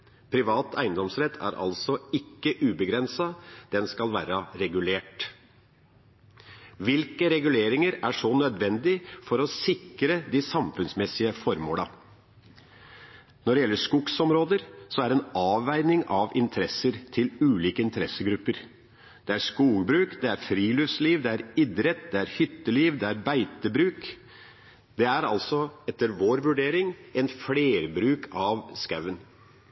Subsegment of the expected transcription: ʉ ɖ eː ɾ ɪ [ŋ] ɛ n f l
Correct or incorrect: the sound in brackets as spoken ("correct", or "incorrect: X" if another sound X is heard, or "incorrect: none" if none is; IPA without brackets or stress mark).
correct